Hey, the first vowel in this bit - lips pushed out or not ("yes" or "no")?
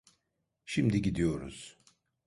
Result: no